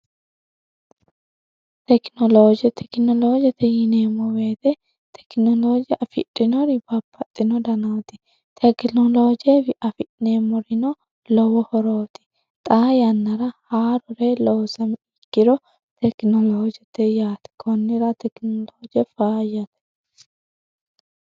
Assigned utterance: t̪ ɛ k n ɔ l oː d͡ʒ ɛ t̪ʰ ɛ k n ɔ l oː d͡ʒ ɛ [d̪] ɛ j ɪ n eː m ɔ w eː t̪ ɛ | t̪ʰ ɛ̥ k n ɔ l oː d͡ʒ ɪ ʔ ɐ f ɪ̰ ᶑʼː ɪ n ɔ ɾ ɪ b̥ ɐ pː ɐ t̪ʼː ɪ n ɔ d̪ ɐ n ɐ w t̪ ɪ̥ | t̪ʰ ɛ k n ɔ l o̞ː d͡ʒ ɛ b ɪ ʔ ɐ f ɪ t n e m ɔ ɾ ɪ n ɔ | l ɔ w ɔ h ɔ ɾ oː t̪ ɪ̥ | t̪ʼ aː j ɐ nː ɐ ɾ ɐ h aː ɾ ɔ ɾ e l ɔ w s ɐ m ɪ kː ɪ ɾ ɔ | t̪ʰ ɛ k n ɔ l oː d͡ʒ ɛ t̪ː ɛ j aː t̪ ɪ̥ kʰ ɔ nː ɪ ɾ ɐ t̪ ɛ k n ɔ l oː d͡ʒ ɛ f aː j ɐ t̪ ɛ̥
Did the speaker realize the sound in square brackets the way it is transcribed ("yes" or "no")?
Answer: no